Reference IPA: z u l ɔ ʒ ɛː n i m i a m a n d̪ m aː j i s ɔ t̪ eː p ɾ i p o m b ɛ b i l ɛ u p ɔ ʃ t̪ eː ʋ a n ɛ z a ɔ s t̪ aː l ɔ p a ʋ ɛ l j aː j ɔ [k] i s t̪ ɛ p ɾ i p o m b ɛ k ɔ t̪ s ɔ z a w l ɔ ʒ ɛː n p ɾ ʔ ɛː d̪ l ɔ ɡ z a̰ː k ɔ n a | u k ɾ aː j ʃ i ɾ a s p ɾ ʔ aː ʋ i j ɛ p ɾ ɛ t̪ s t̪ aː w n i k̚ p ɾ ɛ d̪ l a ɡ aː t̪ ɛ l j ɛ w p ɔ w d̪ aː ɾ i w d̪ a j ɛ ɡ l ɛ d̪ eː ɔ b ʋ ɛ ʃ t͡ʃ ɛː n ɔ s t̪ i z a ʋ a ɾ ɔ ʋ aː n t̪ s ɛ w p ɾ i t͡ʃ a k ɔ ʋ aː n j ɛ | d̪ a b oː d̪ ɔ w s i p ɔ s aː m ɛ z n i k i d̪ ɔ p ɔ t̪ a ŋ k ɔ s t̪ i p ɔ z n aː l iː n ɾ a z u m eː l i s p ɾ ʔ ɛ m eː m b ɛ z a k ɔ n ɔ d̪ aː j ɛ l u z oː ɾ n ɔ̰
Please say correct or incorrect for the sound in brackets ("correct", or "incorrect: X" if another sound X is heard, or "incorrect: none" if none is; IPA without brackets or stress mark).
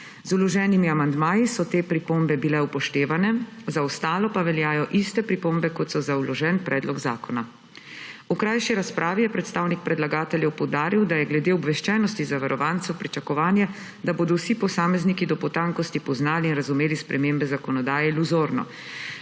incorrect: ʔ